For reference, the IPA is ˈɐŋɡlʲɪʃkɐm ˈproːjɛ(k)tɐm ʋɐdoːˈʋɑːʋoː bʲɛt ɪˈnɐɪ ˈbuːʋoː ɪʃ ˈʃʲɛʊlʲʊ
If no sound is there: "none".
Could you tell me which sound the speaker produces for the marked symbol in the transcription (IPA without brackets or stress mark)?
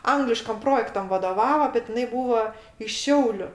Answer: k